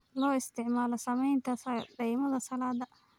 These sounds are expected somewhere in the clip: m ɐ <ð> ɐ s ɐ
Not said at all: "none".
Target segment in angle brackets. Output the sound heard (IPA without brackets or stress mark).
ð